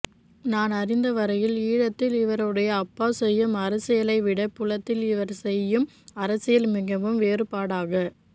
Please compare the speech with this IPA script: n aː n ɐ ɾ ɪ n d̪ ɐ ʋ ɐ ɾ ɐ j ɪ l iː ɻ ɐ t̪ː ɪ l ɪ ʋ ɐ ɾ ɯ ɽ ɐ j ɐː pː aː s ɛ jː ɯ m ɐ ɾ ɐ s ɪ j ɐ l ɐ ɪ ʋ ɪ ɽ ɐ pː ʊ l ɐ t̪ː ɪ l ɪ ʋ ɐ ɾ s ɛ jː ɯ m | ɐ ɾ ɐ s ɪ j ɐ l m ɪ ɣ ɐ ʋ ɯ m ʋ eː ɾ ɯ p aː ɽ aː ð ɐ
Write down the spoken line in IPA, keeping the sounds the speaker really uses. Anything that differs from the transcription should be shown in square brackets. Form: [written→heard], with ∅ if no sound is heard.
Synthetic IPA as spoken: n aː n ɐ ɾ ɪ n d̪ ɐ ʋ ɐ ɾ ɐ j ɪ l iː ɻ ɐ t̪ː ɪ l ɪ ʋ ɐ ɾ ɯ ɽ ɐ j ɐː pː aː s ɛ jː ɯ m ɐ ɾ ɐ s ɪ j ɐ l ɐ ɪ ʋ ɪ ɽ ɐ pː ʊ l ɐ t̪ː ɪ l ɪ ʋ ɐ ɾ s ɛ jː ɯ m | ɐ ɾ ɐ s ɪ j ɐ l m ɪ ɣ ɐ ʋ ɯ m ʋ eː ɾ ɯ p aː ɽ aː [ð→ɣ] ɐ